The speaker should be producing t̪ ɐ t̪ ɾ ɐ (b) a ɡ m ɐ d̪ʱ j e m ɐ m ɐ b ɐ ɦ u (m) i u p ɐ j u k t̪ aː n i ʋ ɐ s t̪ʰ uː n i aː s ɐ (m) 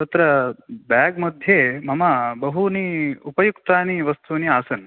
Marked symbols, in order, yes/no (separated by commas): yes, no, no